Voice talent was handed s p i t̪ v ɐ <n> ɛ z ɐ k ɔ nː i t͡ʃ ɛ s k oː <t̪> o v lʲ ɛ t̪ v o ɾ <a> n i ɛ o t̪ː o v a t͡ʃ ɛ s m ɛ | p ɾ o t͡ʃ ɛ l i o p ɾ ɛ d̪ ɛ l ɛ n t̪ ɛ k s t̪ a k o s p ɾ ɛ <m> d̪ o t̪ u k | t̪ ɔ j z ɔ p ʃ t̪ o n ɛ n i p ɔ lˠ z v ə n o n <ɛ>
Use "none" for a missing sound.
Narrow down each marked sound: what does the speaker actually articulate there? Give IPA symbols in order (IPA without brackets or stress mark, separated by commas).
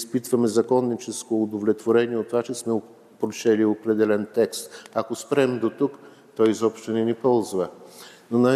m, d̪, ɛ, m, a